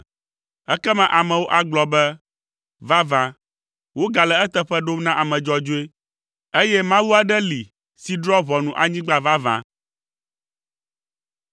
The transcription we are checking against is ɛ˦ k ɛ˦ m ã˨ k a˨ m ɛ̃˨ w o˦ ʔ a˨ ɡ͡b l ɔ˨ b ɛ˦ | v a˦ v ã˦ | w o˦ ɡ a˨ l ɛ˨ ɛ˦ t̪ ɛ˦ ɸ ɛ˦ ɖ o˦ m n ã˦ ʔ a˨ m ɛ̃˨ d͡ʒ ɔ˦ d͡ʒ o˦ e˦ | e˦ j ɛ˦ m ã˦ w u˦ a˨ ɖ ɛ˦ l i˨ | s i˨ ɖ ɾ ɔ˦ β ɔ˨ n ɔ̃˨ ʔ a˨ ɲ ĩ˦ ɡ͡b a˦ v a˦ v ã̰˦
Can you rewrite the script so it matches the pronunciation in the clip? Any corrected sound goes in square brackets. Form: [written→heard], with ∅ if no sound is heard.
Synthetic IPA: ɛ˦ k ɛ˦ m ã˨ [k→ʔ] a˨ m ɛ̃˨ w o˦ ʔ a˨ ɡ͡b l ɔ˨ b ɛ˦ | v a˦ v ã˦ | w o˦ ɡ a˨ l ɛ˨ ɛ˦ t̪ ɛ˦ ɸ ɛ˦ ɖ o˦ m n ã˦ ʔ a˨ m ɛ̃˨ d͡ʒ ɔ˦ d͡ʒ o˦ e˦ | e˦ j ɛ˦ m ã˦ w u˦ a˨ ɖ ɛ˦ l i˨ | s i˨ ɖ ɾ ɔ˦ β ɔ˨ n [ɔ̃˨→ũ˨] ʔ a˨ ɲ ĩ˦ ɡ͡b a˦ v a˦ v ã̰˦